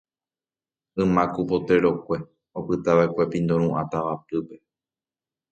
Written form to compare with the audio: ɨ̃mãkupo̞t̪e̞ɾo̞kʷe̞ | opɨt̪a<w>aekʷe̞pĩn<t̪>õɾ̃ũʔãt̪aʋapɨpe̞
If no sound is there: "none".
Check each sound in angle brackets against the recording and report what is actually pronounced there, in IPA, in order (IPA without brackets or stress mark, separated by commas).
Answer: ʋ, d̪